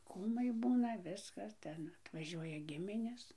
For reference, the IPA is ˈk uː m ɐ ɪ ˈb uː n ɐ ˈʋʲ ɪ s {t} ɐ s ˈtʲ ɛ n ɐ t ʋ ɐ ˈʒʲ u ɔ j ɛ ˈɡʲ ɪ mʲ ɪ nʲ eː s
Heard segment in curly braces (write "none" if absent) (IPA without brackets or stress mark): k